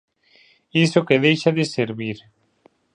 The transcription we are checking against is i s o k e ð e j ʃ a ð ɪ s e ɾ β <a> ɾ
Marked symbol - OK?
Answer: no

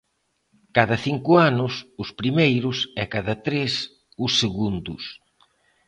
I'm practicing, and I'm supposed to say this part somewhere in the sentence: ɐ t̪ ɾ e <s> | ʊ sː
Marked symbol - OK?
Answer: yes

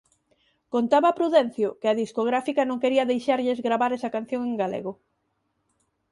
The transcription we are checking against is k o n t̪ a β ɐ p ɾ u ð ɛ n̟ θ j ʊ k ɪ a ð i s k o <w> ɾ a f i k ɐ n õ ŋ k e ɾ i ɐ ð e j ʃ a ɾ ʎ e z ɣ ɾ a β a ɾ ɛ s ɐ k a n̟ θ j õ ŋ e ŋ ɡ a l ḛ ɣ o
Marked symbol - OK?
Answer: no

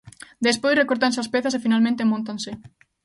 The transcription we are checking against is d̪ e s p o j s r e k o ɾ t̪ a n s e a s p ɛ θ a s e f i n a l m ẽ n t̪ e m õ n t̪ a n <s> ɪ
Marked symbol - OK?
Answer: yes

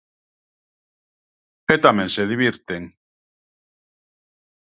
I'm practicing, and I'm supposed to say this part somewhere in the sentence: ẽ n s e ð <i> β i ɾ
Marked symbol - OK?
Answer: yes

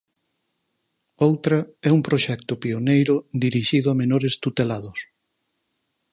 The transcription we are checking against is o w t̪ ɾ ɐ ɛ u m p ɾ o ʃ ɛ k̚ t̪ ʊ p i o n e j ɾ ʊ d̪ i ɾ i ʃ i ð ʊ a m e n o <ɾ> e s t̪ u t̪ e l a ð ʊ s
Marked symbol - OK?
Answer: yes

